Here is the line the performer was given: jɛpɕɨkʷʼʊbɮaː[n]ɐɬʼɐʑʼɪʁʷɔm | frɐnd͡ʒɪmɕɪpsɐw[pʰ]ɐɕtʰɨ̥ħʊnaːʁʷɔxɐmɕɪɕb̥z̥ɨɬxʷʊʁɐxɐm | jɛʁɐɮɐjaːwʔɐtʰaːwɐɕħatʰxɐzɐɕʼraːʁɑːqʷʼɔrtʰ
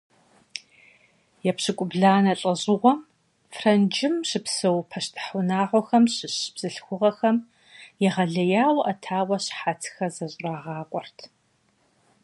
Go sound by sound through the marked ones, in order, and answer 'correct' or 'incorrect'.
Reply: correct, correct

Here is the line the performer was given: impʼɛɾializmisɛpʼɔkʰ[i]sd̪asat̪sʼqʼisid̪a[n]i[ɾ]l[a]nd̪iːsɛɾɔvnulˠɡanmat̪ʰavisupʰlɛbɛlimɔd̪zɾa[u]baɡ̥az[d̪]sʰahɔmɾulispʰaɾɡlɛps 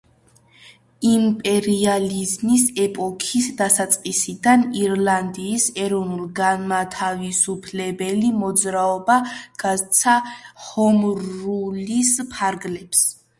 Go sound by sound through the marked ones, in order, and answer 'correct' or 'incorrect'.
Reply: correct, correct, correct, correct, incorrect: ɔ, incorrect: t̪

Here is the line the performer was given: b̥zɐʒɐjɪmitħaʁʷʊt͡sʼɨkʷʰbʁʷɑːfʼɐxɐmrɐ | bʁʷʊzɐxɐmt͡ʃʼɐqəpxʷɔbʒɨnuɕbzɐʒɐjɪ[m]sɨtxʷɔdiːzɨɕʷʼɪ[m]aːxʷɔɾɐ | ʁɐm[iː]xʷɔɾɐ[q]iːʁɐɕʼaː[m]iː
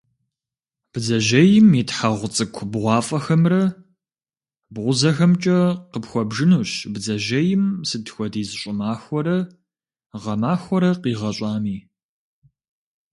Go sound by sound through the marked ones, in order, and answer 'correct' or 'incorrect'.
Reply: correct, correct, incorrect: aː, correct, correct

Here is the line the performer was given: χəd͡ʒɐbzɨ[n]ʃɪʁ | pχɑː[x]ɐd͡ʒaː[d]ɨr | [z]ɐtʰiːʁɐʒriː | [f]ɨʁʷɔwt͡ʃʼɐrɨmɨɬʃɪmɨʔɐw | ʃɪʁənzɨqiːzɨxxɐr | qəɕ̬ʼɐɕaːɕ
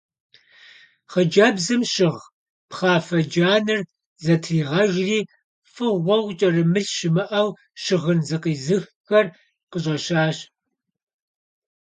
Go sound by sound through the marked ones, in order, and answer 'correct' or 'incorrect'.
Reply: incorrect: m, incorrect: f, incorrect: n, correct, correct

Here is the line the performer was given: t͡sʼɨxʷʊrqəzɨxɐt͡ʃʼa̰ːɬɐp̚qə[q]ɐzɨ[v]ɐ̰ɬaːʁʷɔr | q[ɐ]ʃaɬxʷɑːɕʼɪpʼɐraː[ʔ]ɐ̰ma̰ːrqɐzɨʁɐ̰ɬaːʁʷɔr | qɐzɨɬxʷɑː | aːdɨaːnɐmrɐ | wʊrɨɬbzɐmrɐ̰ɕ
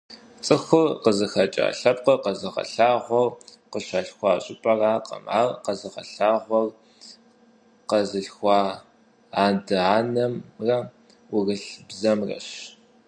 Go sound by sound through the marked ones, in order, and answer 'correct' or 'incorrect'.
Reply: correct, incorrect: ʁ, incorrect: ə, incorrect: q

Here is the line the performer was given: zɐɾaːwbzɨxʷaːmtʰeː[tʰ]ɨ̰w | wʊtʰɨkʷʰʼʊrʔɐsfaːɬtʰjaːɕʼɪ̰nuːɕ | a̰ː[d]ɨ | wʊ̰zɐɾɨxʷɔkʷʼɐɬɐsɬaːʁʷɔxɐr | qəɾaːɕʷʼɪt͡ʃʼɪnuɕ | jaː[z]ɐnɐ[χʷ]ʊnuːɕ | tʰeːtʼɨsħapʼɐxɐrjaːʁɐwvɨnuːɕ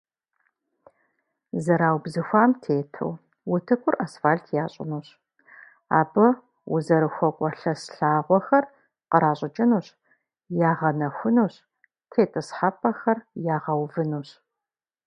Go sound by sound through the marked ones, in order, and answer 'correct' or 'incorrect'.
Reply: correct, incorrect: b, incorrect: ʁ, incorrect: xʷ

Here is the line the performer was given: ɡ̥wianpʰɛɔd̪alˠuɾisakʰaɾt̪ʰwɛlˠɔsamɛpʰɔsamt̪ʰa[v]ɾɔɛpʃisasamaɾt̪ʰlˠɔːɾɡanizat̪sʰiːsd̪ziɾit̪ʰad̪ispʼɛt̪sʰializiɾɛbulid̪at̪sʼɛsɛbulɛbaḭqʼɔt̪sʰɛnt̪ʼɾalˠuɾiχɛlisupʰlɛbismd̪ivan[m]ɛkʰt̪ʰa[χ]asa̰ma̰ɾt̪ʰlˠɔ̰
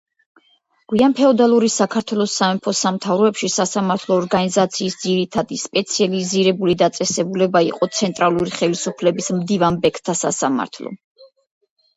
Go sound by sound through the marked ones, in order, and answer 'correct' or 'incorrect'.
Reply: correct, incorrect: b, incorrect: s

